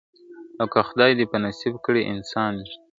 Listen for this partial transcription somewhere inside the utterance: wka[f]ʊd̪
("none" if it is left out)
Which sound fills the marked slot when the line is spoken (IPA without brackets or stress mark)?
x